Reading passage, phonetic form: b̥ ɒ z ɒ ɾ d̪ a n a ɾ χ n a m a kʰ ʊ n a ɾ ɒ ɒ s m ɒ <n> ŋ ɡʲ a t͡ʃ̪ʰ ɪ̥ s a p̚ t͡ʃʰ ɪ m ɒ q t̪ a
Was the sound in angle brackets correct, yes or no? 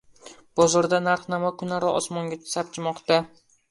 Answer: no